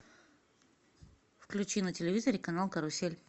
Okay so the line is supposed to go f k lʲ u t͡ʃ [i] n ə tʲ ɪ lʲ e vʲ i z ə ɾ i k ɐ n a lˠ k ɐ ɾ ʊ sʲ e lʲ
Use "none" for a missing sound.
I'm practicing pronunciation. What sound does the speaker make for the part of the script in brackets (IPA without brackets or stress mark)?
i